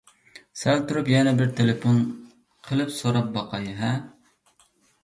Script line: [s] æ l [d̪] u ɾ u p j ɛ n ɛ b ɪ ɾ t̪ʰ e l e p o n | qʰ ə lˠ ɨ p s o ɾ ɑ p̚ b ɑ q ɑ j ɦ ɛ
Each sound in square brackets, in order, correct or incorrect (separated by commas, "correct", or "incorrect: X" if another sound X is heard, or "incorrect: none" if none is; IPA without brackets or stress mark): correct, incorrect: t̪